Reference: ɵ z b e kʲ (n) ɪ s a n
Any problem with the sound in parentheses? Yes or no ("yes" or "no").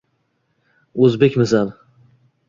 yes